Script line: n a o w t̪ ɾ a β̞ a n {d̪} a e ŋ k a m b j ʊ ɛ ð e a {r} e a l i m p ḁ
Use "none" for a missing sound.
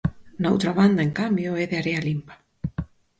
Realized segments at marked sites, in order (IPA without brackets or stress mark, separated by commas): d̪, ɾ